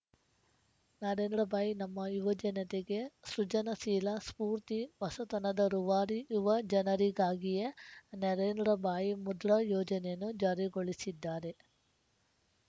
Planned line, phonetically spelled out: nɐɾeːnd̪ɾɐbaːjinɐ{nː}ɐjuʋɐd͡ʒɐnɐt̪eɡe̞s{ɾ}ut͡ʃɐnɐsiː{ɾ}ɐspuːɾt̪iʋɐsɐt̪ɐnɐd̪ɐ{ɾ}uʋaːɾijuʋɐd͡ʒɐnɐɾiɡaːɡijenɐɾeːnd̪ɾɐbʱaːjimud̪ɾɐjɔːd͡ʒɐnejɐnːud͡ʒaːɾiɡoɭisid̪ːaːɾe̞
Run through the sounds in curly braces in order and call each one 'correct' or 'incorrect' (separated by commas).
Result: incorrect, correct, incorrect, correct